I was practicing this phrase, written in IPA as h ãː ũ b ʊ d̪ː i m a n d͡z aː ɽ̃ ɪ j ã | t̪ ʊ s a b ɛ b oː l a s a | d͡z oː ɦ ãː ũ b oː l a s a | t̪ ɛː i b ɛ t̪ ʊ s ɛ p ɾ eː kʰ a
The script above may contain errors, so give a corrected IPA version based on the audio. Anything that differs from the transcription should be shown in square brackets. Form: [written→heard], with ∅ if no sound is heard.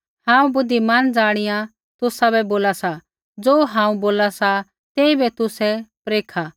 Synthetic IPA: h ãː ũ b ʊ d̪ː i m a n d͡z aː ɽ̃ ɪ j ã | t̪ ʊ s a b ɛ b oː l a s a | d͡z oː ɦ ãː ũ b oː l a s a | t̪ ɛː i b ɛ t̪ ʊ s ɛ p ɾ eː kʰ a